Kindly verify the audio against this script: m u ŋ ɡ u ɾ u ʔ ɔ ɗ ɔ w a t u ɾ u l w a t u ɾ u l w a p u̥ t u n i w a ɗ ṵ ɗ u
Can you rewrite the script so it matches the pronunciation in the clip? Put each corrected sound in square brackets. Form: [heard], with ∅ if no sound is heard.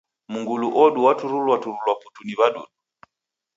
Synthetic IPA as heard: m u ŋ ɡ u [l] u ʔ ɔ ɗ [u] w a t u ɾ u l w a t u ɾ u l w a p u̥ t u n i [β] a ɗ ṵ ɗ u